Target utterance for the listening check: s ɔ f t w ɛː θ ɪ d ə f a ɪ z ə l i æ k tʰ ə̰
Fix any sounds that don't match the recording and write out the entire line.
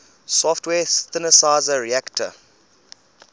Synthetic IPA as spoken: s ɔ f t w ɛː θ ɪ n ə s a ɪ z ə ɹ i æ k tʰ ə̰